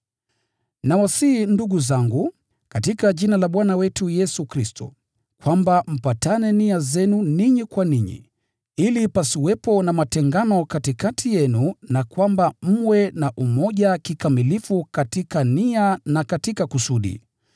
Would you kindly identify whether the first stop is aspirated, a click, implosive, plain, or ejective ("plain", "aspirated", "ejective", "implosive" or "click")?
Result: plain